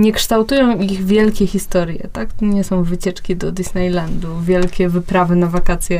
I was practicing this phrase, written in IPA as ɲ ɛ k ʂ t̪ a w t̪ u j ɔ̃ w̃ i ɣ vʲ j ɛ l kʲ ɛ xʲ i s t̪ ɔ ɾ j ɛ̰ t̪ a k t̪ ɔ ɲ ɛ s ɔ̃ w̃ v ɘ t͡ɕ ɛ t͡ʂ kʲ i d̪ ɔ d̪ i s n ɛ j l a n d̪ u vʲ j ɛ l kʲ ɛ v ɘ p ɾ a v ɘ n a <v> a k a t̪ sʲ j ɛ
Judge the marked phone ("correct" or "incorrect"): correct